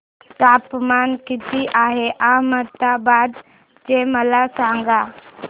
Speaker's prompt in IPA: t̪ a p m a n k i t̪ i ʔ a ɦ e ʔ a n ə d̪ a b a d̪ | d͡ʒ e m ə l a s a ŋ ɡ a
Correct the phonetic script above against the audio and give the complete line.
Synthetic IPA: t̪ a p m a n k i t̪ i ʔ a ɦ e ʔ a m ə t̪ a b a d̪ | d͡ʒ e m ə l a s a ŋ ɡ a

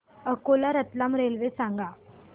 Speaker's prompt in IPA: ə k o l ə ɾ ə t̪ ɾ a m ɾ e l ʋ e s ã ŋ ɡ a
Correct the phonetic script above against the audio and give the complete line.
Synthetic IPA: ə k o l a ɾ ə t̪ l a m ɾ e l ʋ e s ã ŋ ɡ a

